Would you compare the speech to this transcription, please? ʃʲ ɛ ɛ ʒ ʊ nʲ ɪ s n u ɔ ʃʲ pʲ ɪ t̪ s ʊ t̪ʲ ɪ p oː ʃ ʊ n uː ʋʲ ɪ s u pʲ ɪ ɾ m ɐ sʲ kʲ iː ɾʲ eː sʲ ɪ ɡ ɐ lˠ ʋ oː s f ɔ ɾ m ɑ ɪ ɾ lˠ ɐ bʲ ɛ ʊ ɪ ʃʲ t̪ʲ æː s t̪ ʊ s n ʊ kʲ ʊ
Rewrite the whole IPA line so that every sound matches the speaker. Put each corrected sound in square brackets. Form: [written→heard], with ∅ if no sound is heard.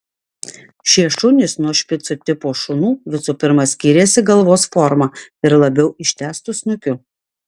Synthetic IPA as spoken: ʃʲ [ɛ→i] ɛ [ʒ→ʃ] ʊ nʲ ɪ s n u ɔ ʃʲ pʲ ɪ t̪ s ʊ t̪ʲ ɪ p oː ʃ ʊ n uː ʋʲ ɪ s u pʲ ɪ ɾ m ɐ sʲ kʲ iː ɾʲ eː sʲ ɪ ɡ ɐ lˠ ʋ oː s f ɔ ɾ m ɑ ɪ ɾ lˠ ɐ bʲ ɛ ʊ ɪ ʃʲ t̪ʲ æː s t̪ ʊ s n ʊ kʲ ʊ